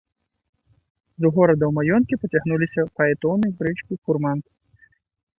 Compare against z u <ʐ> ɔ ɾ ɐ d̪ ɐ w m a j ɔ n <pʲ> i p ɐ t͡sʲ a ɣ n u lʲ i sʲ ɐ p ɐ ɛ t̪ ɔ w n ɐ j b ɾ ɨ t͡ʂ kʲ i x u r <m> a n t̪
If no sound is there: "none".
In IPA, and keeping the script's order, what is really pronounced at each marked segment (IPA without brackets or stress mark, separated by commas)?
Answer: ɣ, kʲ, m